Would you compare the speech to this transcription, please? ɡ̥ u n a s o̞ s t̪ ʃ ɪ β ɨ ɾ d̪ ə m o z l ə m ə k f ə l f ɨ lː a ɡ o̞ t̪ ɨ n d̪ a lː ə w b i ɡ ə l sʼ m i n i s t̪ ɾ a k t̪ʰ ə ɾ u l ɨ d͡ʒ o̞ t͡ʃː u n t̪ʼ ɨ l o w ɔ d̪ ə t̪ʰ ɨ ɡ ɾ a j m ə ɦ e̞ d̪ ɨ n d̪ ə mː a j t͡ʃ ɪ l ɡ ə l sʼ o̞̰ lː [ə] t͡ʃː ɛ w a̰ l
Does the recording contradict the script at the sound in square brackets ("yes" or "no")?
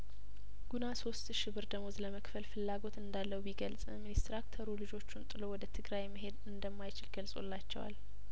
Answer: yes